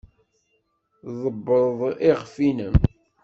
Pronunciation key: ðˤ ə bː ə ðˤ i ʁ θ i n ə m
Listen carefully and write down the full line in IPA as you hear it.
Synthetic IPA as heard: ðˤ ə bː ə ðˤ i ʁ f i n ə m